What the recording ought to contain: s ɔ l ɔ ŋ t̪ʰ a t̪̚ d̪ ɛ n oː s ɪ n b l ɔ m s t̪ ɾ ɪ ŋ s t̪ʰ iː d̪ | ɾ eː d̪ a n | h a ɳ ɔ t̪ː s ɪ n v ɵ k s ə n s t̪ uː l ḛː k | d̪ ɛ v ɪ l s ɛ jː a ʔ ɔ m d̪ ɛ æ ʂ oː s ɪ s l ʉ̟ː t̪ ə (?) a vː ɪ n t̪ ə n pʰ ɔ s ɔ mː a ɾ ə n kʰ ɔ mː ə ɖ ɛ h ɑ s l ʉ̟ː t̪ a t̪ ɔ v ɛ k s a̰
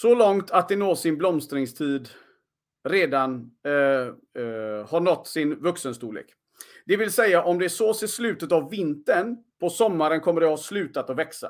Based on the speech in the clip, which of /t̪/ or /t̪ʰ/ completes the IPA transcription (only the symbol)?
t̪